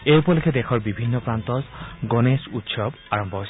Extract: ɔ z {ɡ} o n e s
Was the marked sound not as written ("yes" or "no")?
no